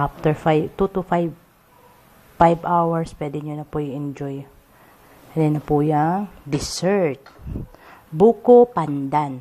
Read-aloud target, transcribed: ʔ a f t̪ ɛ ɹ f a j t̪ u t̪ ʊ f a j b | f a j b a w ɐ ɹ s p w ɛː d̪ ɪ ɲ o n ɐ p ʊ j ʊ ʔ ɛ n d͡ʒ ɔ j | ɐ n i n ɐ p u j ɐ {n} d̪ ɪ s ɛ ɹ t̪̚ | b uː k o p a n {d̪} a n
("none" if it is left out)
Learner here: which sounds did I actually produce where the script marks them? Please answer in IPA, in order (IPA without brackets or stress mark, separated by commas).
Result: ŋ, d̪